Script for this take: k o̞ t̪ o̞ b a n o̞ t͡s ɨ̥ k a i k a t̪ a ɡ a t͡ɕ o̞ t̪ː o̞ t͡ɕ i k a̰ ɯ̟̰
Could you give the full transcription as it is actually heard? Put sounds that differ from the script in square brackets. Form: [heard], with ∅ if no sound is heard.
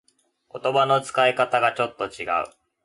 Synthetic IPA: k o̞ t̪ o̞ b a n o̞ t͡s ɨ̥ k a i k a t̪ a ɡ a t͡ɕ o̞ t̪ː o̞ t͡ɕ i [ɡ] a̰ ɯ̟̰